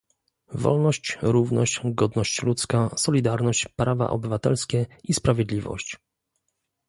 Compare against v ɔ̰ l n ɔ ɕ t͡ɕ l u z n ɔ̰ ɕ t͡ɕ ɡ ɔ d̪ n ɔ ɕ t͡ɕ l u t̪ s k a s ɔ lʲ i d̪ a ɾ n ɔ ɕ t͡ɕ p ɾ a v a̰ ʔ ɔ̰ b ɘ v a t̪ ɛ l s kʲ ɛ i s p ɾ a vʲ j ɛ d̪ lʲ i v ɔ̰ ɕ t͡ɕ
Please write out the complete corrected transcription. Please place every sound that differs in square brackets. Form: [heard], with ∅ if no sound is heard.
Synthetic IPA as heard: v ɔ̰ l n ɔ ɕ t͡ɕ [ɾ] u [v] n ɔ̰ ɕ t͡ɕ ɡ ɔ d̪ n ɔ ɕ t͡ɕ l u t̪ s k a s ɔ lʲ i d̪ a ɾ n ɔ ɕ t͡ɕ p ɾ a v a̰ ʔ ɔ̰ b ɘ v a t̪ ɛ l s kʲ ɛ i s p ɾ a vʲ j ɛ d̪ lʲ i v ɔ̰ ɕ t͡ɕ